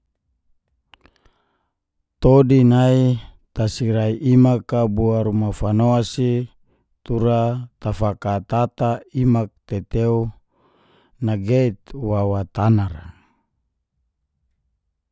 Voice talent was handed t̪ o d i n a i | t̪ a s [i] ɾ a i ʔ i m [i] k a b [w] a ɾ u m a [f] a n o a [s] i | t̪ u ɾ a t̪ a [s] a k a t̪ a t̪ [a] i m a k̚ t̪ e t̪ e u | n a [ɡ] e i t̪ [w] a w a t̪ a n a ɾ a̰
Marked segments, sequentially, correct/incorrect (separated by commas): correct, incorrect, incorrect, correct, correct, incorrect, correct, correct, correct